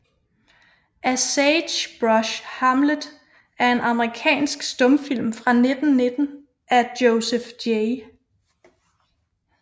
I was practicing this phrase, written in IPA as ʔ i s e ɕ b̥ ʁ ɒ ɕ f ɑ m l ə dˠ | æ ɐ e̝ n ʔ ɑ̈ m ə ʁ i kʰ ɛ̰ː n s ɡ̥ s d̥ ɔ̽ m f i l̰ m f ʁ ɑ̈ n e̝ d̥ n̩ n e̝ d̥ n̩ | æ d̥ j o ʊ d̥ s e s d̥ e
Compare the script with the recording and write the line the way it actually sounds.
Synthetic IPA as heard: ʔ æ s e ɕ b̥ ʁ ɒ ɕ h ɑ m l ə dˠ | æ ɐ e̝ n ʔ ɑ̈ m ə ʁ i kʰ ɛ̰ː n s ɡ̥ s d̥ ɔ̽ m f i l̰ m f ʁ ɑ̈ n e̝ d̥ n̩ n e̝ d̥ n̩ | æ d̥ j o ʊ s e f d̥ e

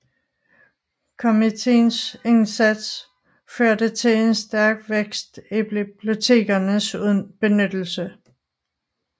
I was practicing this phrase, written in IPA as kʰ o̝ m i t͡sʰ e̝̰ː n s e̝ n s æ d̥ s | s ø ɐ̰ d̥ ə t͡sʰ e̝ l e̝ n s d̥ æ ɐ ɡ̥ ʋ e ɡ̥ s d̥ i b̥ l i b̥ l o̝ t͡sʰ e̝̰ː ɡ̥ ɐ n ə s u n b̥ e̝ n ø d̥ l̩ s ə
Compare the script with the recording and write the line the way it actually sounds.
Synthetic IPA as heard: kʰ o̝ m i t͡sʰ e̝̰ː n s e̝ n s æ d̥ s | f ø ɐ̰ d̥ ə t͡sʰ e̝ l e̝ n s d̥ æ ɐ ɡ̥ ʋ e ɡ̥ s d̥ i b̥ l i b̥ l o̝ t͡sʰ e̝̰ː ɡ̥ ɐ n ə s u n b̥ e̝ n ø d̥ l̩ s ə

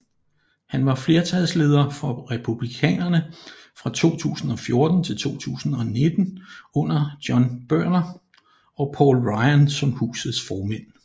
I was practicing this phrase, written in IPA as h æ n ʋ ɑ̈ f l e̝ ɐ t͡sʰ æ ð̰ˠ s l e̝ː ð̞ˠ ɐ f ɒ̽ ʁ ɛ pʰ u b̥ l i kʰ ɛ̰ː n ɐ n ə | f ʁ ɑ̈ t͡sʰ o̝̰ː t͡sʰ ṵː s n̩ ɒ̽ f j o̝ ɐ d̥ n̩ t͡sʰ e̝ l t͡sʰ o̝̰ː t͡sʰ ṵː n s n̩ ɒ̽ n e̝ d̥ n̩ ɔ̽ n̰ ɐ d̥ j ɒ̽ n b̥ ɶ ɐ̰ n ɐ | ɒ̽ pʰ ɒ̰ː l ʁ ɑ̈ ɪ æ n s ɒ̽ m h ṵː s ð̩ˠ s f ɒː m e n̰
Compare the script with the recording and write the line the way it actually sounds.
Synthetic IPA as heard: h æ n ʋ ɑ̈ f l e̝ ɐ t͡sʰ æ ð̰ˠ s l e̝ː ð̞ˠ ɐ f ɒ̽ ʁ ɛ pʰ u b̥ l i kʰ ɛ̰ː n ɐ n ə | f ʁ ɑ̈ t͡sʰ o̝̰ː t͡sʰ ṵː s n̩ ɒ̽ f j o̝ ɐ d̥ n̩ t͡sʰ e̝ l t͡sʰ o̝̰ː t͡sʰ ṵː s n̩ ɒ̽ n e̝ d̥ n̩ ɔ̽ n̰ ɐ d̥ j ɒ̽ n b̥ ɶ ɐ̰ n ɐ | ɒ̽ pʰ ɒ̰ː l ʁ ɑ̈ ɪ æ n s ɒ̽ m h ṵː s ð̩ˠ s f ɒː m e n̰

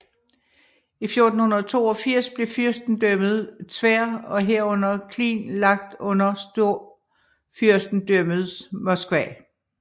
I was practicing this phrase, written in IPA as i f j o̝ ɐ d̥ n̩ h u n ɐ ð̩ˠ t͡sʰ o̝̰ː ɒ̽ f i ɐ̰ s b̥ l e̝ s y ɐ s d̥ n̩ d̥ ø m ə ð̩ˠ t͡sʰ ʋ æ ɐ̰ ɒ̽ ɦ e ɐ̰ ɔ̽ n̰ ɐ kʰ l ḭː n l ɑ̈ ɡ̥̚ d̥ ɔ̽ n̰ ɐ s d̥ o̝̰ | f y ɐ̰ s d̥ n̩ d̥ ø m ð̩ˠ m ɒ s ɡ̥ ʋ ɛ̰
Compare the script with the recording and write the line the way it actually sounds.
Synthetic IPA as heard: i f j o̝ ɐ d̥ n̩ h u n ɐ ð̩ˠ t͡sʰ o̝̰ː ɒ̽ f i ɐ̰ s b̥ l e̝ f y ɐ s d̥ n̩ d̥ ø m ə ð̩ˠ t͡sʰ ʋ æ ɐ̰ ɒ̽ ɦ e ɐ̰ ɔ̽ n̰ ɐ kʰ l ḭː n l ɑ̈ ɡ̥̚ d̥ ɔ̽ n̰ ɐ s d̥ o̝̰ | f y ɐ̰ s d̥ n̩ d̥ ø m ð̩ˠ m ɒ s ɡ̥ ʋ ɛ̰

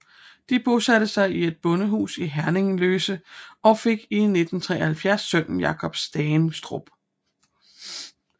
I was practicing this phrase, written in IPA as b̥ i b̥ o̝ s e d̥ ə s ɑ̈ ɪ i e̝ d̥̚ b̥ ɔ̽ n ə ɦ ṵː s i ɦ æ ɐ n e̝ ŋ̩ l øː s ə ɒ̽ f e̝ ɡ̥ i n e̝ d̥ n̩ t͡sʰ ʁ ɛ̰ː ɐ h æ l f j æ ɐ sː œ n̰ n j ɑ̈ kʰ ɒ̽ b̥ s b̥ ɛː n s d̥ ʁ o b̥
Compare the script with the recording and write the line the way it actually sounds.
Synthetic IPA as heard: d̥ i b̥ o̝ s æ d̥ ə s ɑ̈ ɪ i e̝ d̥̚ b̥ ɔ̽ n ə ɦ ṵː s i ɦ æ ɐ n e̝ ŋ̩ l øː s ə ɒ̽ f e̝ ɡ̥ i n e̝ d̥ n̩ t͡sʰ ʁ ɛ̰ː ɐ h æ l f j æ ɐ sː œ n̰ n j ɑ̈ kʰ ɒ̽ b̥ s d̥ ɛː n s d̥ ʁ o b̥

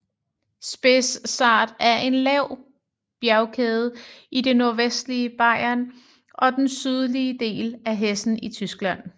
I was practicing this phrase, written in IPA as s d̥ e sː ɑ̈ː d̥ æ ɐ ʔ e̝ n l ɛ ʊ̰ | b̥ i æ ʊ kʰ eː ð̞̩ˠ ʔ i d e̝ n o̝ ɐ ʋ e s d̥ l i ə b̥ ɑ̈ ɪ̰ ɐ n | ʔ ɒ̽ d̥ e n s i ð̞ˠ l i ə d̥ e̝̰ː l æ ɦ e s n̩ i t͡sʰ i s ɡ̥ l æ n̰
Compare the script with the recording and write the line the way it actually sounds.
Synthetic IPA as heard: s b̥ e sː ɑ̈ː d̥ æ ɐ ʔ e̝ n l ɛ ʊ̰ | b̥ j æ ʊ kʰ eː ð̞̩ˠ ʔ i d e̝ n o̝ ɐ ʋ e s d̥ l i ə b̥ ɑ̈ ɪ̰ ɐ n | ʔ ɒ̽ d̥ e n s y ð̞ˠ l i ə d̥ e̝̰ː l æ ɦ e s n̩ i t͡sʰ y s ɡ̥ l æ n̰

